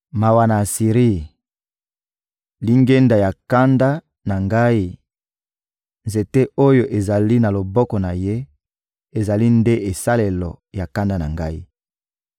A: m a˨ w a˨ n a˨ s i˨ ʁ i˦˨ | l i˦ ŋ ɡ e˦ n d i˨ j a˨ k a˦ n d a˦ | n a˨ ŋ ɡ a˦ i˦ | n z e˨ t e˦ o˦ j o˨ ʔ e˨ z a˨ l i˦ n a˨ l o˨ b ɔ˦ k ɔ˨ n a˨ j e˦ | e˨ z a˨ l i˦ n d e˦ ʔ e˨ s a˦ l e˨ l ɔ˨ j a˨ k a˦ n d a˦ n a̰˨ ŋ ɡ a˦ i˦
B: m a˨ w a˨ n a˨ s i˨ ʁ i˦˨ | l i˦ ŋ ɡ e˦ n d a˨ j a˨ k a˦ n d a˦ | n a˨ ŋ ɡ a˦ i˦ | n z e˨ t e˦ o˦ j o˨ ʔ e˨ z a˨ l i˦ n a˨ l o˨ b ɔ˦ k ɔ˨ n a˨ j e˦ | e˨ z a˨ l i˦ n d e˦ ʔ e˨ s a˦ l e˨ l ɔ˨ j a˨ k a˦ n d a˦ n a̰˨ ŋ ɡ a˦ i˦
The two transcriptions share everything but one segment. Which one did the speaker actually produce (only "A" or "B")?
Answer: B